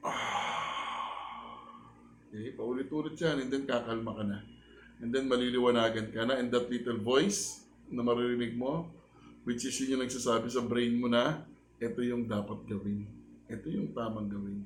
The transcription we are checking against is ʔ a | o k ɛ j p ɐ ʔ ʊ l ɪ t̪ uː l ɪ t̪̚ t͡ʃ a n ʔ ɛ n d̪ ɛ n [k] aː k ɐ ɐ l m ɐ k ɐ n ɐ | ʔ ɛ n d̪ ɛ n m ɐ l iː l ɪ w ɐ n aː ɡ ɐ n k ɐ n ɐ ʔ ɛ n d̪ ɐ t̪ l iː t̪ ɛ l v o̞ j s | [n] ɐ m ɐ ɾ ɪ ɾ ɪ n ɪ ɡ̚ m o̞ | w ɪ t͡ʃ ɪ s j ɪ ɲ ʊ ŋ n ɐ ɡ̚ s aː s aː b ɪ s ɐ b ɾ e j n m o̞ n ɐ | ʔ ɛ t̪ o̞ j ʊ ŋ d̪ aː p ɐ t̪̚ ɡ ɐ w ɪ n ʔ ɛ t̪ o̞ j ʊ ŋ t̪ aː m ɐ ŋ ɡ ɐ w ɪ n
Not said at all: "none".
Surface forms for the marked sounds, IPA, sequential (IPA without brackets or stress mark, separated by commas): k, n